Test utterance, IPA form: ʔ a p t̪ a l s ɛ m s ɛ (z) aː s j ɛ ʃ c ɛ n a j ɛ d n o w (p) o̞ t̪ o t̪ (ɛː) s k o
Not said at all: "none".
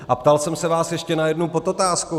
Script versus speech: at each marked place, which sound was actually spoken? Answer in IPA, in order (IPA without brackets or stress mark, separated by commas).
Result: v, p, aː